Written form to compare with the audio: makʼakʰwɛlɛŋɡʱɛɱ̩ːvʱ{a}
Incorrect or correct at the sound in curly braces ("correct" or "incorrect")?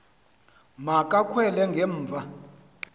correct